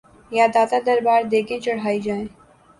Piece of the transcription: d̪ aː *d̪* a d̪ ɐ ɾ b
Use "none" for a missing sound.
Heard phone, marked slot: t̪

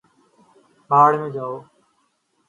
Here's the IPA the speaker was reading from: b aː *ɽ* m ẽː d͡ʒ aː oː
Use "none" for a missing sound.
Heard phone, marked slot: ɽ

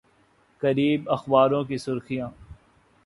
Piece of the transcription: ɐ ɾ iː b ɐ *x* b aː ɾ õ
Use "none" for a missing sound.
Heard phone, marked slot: x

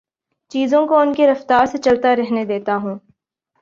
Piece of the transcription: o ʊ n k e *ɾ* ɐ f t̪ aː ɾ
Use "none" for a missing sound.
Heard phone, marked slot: ɾ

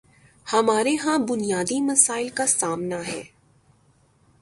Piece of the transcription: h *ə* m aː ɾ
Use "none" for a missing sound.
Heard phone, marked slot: ɐ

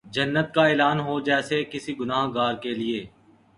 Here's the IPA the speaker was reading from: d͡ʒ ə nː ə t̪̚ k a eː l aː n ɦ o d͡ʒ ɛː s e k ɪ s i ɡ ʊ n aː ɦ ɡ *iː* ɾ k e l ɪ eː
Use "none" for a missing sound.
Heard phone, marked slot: aː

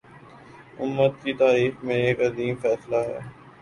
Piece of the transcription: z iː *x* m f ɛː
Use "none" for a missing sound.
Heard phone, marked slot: none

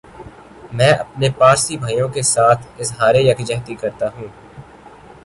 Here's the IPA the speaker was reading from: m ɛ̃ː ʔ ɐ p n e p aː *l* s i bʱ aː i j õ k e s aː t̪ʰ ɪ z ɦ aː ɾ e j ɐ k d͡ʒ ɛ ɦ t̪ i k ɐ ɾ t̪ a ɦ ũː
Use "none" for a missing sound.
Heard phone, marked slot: ɾ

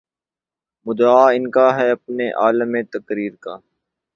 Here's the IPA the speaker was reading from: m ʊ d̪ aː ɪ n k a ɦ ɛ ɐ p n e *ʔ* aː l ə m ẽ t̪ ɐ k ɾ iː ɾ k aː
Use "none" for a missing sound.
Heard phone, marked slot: ʔ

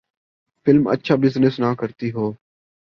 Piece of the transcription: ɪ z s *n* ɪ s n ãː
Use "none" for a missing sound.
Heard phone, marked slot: n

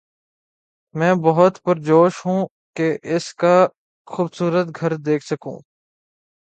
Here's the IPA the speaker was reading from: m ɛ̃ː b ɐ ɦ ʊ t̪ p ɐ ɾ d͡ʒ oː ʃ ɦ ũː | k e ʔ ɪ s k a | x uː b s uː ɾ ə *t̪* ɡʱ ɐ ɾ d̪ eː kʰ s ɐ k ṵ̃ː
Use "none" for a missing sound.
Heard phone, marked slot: t̪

